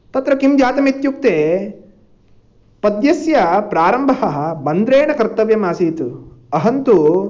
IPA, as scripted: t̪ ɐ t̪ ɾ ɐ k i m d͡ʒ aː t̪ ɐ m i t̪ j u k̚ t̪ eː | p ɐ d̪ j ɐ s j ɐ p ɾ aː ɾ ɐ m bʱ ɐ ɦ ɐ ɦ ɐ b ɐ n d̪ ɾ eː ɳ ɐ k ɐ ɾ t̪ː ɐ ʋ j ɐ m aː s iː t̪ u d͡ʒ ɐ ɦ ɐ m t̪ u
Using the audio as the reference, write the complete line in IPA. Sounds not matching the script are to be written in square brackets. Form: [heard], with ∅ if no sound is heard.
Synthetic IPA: t̪ ɐ t̪ ɾ ɐ k i m d͡ʒ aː t̪ ɐ m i t̪ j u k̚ t̪ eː | p ɐ d̪ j ɐ s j ɐ p ɾ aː ɾ ɐ m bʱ ɐ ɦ ɐ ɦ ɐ b ɐ n d̪ ɾ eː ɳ ɐ k ɐ ɾ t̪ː ɐ ʋ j ɐ m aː s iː t̪ u [∅] ɐ ɦ ɐ [n] t̪ u